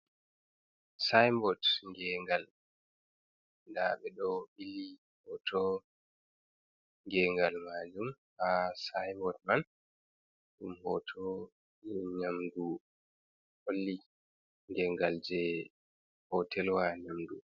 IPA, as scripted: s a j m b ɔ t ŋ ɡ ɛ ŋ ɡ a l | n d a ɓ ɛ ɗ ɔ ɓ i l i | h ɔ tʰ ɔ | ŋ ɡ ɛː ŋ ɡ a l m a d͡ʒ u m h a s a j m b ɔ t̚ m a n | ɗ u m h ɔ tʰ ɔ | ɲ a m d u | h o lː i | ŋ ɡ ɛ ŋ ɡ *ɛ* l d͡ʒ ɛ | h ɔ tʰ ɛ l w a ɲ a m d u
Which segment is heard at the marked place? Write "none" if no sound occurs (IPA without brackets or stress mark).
a